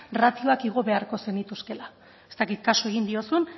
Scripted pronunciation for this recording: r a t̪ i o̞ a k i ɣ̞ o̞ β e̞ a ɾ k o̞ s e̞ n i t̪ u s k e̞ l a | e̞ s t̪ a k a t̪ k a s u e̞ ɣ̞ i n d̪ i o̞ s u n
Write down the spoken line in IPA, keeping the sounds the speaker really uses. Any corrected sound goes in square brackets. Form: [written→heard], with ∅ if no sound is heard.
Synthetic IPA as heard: r a t̪ i o̞ a k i ɣ̞ o̞ β e̞ a ɾ k o̞ s e̞ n i t̪ u s k e̞ l a | e̞ s t̪ a k [a→i] t̪ k a s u e̞ ɣ̞ i n d̪ i o̞ s u n